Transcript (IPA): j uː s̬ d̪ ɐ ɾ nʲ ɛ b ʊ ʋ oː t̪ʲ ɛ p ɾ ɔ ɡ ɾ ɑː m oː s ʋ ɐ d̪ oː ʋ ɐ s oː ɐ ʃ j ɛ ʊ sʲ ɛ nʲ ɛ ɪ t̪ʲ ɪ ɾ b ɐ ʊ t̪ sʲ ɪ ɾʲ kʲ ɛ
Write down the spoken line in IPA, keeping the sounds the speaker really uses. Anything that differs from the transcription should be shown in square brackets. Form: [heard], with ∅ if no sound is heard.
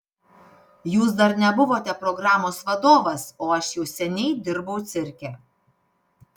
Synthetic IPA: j uː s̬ d̪ ɐ ɾ nʲ ɛ b ʊ ʋ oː t̪ʲ ɛ p ɾ ɔ ɡ ɾ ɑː m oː s ʋ ɐ d̪ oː ʋ ɐ s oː ɐ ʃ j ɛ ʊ sʲ ɛ nʲ ɛ ɪ [d̪ʲ] ɪ ɾ b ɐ ʊ t̪ sʲ ɪ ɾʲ kʲ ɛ